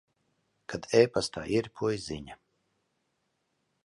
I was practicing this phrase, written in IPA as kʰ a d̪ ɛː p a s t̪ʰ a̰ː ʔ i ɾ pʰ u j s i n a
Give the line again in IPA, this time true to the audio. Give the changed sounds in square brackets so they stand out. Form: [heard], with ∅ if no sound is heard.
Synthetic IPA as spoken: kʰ a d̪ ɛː p a s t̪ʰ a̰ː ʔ i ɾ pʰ u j [z] i [ɲ] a